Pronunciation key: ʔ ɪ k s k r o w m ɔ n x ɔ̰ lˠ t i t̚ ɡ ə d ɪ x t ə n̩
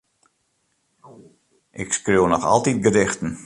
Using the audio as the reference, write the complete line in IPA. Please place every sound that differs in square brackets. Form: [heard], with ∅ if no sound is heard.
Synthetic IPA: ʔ ɪ k s k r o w [n] ɔ [∅] x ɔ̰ lˠ t i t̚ ɡ ə d ɪ x t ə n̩